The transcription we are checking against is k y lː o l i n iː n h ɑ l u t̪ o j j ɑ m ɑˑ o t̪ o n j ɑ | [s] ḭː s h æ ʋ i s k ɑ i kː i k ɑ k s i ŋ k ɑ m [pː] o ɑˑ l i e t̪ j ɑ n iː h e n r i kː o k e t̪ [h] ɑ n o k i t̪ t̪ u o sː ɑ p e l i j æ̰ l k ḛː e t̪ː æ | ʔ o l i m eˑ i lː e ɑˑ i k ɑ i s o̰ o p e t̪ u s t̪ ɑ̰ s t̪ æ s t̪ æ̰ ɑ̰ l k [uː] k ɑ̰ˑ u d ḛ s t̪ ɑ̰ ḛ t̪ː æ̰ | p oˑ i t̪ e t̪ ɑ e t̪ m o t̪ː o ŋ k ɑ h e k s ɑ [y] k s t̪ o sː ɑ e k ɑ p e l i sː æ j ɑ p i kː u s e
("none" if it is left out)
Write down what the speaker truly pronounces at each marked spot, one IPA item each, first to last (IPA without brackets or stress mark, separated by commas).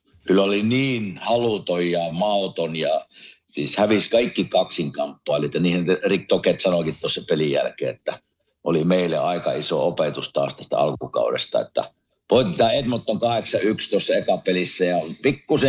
s, pː, s, u, y